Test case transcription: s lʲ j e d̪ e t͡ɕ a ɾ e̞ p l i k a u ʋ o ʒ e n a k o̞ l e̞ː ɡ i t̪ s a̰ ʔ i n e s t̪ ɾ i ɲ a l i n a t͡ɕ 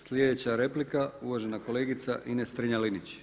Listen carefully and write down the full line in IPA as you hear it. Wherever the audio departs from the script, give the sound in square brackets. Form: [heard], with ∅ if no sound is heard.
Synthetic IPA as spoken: s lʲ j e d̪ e t͡ɕ a ɾ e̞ p l i k a u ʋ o ʒ e n a k o̞ l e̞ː ɡ i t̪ s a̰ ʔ i n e s t̪ ɾ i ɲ a l i n [i] t͡ɕ